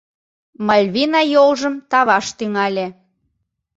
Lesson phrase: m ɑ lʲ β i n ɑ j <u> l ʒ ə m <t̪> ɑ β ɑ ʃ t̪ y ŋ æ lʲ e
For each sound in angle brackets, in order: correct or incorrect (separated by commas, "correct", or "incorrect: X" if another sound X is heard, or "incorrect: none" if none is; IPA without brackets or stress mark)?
incorrect: o, correct